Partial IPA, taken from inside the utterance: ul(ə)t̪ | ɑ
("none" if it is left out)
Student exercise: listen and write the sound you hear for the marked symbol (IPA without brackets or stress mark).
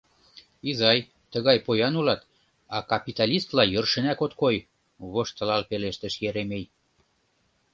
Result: ɑ